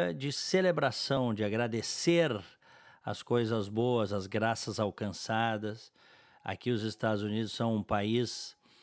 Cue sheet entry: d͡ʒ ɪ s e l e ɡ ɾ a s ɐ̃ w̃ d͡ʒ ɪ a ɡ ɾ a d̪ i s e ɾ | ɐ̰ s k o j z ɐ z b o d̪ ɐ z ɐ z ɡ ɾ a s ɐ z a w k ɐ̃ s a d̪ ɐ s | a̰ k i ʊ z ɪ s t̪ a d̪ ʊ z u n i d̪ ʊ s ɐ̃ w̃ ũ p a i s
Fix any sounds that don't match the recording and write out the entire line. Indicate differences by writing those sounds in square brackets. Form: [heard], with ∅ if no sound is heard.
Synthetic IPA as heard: d͡ʒ ɪ s e l e [b] ɾ a s ɐ̃ w̃ d͡ʒ ɪ a ɡ ɾ a d̪ [e] s e ɾ | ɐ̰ s k o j z ɐ z b o [∅] ɐ z ɐ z ɡ ɾ a s ɐ z a w k ɐ̃ s a d̪ ɐ s | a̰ k i ʊ z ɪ s t̪ a d̪ ʊ z u n i d̪ ʊ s ɐ̃ w̃ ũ p a i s